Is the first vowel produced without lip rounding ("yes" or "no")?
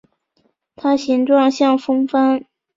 yes